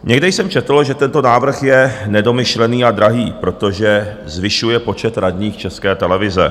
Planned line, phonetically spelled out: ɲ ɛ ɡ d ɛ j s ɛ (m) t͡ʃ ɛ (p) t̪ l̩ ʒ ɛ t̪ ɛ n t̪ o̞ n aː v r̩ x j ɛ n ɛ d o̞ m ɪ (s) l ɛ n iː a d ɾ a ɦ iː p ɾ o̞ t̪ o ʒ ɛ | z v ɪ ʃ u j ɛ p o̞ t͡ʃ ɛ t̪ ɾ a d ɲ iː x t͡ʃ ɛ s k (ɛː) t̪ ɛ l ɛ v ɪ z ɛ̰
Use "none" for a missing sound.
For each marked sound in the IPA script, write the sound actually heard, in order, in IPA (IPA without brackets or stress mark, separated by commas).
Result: m, none, ʃ, ɛː